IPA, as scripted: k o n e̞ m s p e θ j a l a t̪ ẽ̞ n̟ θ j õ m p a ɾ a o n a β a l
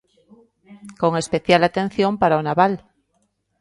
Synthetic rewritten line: k o ŋ e̞ s p e θ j a l a t̪ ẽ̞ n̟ θ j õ m p a ɾ a o n a β a l